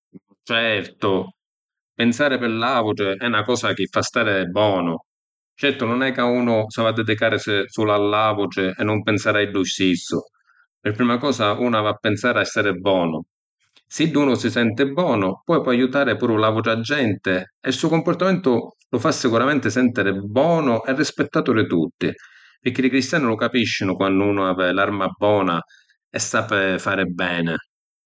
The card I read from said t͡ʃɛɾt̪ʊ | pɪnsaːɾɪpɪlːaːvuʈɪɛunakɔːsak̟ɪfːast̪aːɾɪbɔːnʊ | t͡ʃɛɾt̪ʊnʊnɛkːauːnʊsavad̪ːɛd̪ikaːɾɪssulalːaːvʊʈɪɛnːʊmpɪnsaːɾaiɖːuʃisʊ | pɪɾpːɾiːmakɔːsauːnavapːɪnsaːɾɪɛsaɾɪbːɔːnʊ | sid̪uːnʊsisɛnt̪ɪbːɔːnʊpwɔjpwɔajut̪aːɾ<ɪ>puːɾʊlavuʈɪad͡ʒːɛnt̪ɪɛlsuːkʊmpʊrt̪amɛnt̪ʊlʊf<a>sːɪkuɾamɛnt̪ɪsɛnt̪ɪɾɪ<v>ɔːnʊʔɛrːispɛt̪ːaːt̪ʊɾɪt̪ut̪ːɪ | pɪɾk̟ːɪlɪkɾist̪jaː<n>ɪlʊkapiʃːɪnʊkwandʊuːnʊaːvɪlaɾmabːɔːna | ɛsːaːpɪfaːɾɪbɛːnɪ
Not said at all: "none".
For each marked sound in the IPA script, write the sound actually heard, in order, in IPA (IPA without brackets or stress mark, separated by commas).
ɪ, a, b, n